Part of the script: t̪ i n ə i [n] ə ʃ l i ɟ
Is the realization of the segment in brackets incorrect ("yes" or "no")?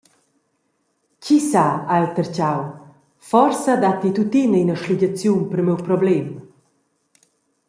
no